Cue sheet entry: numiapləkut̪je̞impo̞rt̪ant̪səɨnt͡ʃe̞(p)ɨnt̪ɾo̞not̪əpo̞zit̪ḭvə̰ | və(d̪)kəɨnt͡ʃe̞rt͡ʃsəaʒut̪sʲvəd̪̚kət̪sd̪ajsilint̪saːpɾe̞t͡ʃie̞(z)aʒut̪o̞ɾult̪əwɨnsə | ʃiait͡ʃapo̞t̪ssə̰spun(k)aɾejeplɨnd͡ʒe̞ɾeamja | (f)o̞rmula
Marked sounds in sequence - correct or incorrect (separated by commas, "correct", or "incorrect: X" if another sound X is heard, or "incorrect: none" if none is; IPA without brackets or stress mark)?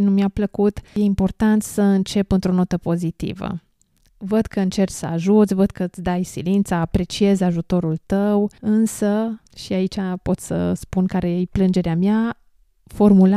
correct, correct, correct, correct, correct